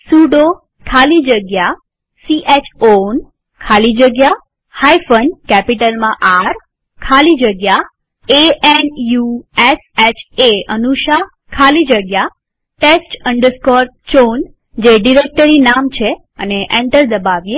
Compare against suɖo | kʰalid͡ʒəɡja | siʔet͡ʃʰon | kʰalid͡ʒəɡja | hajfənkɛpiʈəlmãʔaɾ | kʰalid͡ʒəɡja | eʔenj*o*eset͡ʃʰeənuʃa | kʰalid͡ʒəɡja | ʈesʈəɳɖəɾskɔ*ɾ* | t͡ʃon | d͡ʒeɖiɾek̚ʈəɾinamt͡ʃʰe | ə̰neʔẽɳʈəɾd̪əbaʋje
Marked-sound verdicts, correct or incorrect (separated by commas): incorrect, correct